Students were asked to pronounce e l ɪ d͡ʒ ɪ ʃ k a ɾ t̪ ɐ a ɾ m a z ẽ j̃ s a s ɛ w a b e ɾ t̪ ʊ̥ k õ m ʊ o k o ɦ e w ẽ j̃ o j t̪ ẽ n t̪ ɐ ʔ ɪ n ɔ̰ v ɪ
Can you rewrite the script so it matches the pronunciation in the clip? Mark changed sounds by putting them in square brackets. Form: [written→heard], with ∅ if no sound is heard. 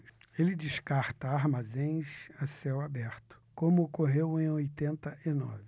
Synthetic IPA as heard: e l ɪ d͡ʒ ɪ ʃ k a ɾ t̪ ɐ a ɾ m a z ẽ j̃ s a s ɛ w a b [e→ɛ] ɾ t̪ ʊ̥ k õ m ʊ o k o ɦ e w ẽ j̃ o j t̪ ẽ n t̪ ɐ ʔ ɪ n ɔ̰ v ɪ